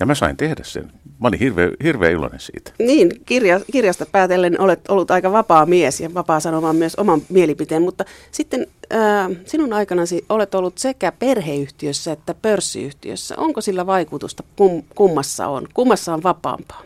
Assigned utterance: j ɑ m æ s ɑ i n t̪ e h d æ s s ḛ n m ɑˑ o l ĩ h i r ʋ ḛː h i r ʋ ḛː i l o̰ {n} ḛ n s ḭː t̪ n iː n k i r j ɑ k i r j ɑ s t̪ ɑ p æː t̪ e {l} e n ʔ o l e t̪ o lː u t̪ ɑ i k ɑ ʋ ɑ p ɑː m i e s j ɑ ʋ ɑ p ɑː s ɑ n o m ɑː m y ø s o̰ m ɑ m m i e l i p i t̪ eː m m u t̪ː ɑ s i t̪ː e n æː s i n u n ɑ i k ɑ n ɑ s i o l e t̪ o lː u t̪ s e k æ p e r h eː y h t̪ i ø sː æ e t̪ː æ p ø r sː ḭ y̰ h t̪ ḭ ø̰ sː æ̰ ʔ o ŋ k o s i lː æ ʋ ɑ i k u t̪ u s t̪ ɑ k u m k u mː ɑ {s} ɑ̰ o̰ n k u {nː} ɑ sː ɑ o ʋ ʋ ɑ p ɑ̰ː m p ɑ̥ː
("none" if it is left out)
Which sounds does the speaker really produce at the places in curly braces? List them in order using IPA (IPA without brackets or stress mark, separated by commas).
n, lː, sː, mː